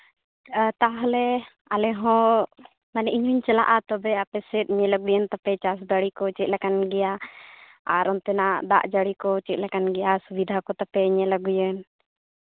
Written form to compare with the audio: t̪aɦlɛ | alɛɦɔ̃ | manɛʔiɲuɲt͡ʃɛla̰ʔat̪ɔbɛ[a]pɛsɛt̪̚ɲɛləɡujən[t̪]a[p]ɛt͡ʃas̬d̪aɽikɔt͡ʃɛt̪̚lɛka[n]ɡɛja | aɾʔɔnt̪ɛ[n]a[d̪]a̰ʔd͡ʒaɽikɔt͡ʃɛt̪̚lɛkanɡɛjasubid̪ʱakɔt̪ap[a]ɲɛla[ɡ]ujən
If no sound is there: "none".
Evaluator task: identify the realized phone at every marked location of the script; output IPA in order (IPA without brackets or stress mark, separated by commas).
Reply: a, t̪, p, n, n, d̪, ɛ, ɡ